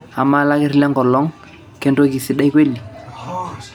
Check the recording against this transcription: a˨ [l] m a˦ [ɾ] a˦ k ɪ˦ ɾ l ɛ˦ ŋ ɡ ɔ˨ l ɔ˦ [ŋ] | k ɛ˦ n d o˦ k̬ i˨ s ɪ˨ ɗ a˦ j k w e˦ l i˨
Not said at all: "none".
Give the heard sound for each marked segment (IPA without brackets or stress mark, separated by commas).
none, l, ŋ